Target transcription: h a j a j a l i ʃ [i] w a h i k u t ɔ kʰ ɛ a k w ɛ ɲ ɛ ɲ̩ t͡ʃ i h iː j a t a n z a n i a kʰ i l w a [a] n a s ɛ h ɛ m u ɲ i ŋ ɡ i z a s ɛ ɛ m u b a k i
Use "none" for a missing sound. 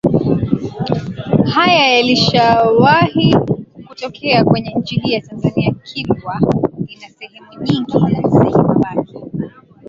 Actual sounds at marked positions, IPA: a, i

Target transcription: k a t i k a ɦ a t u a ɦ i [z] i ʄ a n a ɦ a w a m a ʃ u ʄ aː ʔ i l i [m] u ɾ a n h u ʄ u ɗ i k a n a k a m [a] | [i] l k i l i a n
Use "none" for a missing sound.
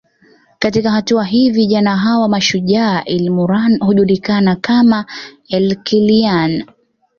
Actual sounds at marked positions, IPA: v, m, a, ɛ

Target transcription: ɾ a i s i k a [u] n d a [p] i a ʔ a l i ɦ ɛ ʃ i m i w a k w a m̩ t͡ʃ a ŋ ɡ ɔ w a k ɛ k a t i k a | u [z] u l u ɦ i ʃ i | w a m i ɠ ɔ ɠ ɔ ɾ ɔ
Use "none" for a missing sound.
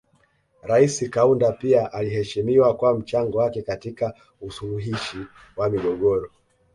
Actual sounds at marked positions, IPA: u, p, s

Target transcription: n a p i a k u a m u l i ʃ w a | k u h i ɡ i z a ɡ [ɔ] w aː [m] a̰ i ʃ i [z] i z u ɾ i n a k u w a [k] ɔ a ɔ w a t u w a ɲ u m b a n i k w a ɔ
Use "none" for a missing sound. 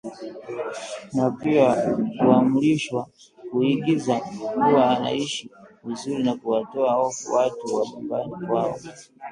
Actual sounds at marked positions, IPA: u, n, v, t

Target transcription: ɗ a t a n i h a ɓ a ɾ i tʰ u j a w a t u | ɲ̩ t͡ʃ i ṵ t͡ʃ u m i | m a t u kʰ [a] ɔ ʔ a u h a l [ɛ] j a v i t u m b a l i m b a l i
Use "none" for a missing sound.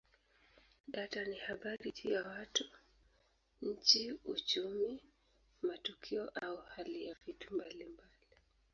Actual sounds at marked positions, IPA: i, i

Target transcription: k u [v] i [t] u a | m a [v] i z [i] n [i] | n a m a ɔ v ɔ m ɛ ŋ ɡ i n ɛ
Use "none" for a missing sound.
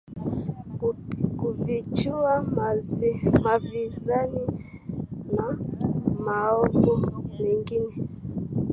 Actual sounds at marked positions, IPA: v, t͡ʃ, v, a, i

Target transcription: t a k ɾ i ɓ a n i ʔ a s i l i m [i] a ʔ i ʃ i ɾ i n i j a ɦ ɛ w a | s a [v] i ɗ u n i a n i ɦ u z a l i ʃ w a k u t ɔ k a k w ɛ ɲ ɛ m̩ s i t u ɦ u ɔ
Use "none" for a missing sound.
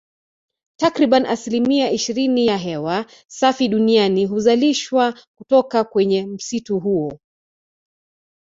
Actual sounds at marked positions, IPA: i, f

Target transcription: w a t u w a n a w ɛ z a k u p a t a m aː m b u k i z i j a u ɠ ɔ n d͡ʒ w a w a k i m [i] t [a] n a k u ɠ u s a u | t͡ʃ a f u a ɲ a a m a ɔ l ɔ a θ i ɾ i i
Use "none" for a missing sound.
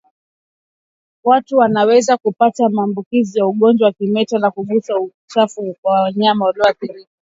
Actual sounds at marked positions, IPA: ɛ, a

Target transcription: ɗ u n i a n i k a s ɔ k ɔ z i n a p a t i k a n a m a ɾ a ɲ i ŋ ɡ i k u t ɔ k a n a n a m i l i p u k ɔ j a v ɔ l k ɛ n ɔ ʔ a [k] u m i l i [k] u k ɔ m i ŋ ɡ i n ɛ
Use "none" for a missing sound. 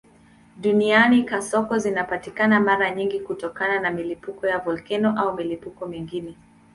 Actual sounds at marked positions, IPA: none, p

